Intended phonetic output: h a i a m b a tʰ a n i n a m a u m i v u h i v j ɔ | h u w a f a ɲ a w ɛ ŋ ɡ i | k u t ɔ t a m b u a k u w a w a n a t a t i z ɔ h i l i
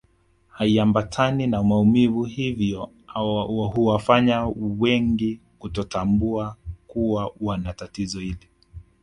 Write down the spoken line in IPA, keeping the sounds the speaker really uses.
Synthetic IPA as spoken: h a i a m b a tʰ a n i n a m a u m i v u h i v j ɔ | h u w a f a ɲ a w ɛ ŋ ɡ i | k u t ɔ t a m b u a k u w a w a n a t a t i z ɔ h i l i